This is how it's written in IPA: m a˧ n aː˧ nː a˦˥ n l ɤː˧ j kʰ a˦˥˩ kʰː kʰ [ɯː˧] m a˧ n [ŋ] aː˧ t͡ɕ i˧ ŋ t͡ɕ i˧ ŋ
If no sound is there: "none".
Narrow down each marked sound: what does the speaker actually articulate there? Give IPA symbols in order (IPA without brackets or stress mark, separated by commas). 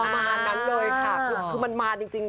ɯː˧, m